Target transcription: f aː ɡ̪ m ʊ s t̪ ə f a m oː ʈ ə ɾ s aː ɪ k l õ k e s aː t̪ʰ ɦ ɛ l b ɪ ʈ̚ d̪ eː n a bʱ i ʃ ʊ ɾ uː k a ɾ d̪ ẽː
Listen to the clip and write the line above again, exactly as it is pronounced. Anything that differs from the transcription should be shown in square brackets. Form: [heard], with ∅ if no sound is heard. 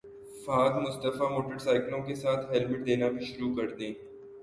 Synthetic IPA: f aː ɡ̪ m ʊ s t̪ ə f a m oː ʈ ə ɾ s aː ɪ k l õ k e s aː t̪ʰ ɦ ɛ l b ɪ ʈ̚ d̪ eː n a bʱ i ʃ ʊ ɾ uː k [ɐ] ɾ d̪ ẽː